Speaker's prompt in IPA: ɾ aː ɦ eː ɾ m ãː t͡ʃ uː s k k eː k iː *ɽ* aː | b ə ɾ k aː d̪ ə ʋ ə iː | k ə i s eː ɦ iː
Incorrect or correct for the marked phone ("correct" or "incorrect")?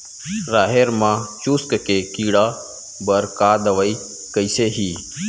correct